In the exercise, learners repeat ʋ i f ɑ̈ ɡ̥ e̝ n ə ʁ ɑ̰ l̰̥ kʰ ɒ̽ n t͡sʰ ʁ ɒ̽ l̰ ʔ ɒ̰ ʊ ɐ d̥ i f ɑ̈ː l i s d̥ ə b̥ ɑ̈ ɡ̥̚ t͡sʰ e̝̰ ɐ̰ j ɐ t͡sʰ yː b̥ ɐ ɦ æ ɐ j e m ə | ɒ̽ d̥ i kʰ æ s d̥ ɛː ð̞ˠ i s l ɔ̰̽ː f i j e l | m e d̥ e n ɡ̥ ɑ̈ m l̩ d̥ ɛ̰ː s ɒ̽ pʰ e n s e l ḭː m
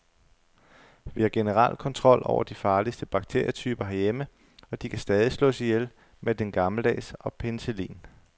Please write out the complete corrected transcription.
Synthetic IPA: ʋ i h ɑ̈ ɡ̥ e̝ n ə ʁ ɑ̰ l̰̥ kʰ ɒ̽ n t͡sʰ ʁ ɒ̽ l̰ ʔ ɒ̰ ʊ ɐ d̥ i f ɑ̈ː l i s d̥ ə b̥ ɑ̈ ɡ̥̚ t͡sʰ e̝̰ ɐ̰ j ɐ t͡sʰ yː b̥ ɐ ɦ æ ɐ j e m ə | ɒ̽ d̥ i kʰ æ s d̥ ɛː ð̞ˠ i s l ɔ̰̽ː s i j e l | m e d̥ e n ɡ̥ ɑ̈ m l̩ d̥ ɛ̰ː s ɒ̽ pʰ e n s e l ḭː n